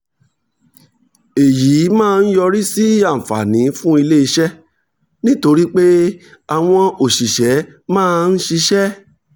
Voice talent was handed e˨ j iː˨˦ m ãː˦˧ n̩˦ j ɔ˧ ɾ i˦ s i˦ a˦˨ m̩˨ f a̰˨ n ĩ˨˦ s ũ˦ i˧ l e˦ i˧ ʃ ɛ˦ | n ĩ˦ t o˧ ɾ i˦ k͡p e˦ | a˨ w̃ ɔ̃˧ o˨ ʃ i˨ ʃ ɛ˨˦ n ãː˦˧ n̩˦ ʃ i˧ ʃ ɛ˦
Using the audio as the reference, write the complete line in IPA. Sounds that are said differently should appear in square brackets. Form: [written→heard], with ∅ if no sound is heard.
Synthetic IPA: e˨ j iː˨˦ m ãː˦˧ n̩˦ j ɔ˧ ɾ i˦ s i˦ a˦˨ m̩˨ f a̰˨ n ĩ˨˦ [s→f] ũ˦ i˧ l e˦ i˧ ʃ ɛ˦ | n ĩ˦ t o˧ ɾ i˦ k͡p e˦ | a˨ w̃ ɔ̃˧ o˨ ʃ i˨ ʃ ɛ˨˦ [n→m] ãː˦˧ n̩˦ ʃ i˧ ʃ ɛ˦